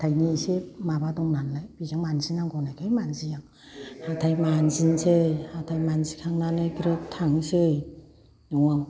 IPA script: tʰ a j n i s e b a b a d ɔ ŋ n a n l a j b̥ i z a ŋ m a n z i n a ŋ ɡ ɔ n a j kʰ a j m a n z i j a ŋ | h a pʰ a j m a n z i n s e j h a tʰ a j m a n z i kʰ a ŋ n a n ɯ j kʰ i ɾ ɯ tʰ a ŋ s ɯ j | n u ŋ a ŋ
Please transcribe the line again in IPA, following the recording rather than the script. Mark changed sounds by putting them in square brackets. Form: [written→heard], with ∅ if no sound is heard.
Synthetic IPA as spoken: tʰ a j n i s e [b→m] a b a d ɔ ŋ n a n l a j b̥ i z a ŋ m a n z i n a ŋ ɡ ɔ n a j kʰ a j m a n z i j a ŋ | h a [pʰ→tʰ] a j m a n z i n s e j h a tʰ a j m a n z i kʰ a ŋ n a n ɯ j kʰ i ɾ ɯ tʰ a ŋ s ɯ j | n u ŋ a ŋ